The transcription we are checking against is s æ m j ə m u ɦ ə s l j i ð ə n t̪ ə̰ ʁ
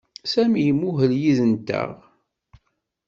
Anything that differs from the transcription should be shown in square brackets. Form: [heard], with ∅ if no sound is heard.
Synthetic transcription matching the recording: s æ m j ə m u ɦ ə [∅] l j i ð ə n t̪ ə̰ ʁ